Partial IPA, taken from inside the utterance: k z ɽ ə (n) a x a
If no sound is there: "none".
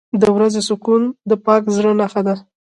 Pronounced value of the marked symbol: n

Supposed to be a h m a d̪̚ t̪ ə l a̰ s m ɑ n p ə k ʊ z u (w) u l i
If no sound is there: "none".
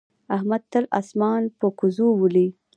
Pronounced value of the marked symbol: w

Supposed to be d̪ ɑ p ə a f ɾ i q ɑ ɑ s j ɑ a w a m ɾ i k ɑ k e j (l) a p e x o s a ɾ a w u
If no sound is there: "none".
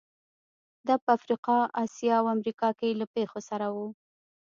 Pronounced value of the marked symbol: l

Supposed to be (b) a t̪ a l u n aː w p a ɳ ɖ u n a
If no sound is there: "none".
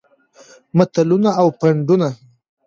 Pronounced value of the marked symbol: m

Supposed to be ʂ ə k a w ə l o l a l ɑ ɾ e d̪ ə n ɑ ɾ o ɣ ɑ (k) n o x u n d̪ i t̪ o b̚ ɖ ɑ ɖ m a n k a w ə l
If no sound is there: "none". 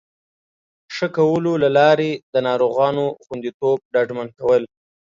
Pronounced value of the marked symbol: none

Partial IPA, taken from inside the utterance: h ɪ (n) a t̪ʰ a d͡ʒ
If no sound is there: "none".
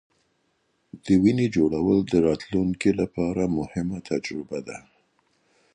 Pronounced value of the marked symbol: m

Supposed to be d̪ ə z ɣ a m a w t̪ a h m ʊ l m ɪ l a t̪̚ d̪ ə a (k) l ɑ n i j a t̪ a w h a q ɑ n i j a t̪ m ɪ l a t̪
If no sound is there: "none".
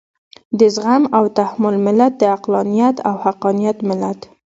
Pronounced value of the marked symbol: q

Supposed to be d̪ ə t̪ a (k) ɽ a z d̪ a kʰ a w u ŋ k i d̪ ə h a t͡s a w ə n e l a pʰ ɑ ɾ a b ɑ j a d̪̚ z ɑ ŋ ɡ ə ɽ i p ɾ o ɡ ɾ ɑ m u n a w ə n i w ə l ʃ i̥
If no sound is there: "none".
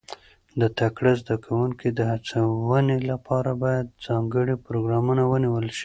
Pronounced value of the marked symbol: k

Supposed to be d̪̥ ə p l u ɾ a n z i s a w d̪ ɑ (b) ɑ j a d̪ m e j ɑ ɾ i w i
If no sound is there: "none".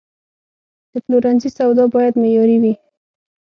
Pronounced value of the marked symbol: b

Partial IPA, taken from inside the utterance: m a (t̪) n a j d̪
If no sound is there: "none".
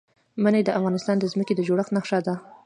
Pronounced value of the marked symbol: none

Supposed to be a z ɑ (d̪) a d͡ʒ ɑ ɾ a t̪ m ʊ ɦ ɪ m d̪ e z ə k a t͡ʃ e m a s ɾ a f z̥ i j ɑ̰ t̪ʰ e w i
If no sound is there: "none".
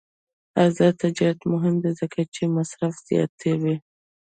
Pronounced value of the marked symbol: t̪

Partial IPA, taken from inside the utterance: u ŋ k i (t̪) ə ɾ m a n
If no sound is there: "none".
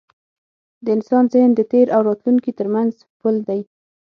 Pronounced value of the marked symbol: t̪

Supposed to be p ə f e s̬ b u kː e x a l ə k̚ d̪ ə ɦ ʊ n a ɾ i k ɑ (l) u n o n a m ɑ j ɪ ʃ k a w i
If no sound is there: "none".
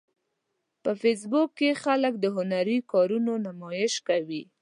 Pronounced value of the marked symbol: ɾ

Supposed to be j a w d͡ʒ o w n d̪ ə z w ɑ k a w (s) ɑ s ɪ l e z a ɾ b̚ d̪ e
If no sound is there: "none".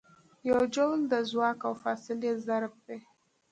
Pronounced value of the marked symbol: f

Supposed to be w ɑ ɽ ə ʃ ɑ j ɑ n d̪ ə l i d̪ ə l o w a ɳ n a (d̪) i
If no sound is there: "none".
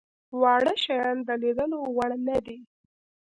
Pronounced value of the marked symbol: d̪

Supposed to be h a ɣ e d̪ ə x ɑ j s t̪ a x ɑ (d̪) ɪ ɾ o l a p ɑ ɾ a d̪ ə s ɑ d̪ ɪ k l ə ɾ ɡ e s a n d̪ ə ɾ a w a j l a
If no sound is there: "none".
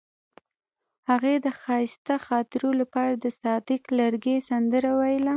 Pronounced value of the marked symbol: t̪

